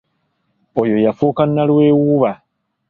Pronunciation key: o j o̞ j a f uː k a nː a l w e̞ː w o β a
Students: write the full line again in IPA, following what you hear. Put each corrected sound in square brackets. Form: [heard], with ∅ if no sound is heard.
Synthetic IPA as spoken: o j o̞ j a f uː k a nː a l w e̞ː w [u] β a